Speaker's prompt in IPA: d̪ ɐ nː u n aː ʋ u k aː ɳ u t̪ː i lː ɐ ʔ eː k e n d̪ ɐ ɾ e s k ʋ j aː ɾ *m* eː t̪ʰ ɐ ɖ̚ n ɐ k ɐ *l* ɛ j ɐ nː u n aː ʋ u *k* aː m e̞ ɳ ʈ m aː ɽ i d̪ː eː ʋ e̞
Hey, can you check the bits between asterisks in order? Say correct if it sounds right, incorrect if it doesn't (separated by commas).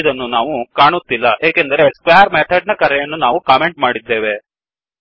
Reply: correct, incorrect, correct